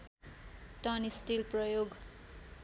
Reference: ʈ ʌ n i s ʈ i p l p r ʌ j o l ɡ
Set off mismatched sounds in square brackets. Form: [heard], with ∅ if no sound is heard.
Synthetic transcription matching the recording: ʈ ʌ n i s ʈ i [∅] l p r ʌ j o [∅] ɡ